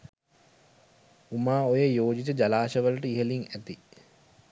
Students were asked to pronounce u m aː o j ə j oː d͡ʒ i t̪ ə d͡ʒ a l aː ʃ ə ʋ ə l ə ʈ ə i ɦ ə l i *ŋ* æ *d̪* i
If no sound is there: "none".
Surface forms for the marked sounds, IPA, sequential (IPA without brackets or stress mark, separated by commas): ŋ, t̪